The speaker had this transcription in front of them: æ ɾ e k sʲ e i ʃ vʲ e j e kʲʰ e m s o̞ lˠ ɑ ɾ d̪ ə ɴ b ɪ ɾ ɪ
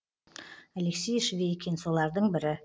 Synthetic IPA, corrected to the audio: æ l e k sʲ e j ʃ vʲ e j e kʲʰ e n s o̞ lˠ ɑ ɾ d̪ ə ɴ b ɪ ɾ ɪ